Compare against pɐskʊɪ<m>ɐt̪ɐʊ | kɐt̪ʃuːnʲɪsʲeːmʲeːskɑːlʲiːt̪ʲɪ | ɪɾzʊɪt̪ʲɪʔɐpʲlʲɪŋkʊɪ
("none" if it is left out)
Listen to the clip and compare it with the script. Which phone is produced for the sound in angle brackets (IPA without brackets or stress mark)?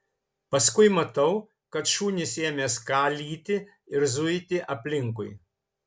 m